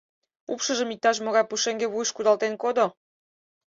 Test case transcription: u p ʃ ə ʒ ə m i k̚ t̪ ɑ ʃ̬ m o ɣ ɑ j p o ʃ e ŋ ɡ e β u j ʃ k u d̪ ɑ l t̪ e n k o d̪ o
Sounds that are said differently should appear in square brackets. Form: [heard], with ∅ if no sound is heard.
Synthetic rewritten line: u p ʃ ə ʒ ə m i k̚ t̪ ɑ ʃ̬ m o ɣ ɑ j p [u] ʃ e ŋ ɡ e β u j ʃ k u d̪ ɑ l t̪ e n k o d̪ o